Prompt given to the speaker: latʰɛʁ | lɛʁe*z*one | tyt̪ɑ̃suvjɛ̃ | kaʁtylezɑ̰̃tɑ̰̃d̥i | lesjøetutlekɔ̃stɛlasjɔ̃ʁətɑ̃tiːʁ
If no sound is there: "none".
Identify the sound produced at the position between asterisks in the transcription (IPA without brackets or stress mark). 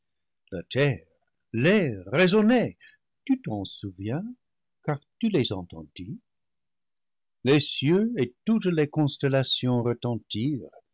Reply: z